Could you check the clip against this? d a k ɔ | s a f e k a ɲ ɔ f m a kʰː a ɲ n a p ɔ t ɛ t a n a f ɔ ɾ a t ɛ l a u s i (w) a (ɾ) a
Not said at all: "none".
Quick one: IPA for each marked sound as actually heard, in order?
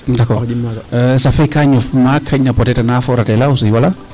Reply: w, l

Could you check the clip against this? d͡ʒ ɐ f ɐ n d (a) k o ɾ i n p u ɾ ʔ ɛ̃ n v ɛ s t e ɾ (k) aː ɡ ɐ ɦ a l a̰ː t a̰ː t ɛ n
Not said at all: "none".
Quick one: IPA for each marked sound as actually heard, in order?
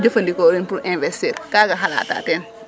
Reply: i, k

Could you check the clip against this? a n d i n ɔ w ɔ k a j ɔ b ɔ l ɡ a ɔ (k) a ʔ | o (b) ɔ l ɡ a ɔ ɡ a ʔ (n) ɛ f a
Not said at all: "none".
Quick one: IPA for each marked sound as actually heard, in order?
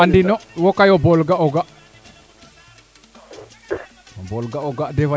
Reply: ɡ, b, d

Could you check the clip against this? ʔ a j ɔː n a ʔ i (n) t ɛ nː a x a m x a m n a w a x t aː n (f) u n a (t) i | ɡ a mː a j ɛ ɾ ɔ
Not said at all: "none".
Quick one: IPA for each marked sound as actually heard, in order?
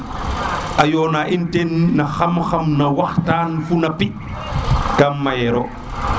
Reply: n, f, p

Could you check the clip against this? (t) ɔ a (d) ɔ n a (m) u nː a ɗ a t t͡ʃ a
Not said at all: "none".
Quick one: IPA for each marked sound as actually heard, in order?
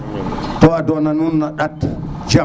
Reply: t, d, n

